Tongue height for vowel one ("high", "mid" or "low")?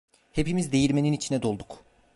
mid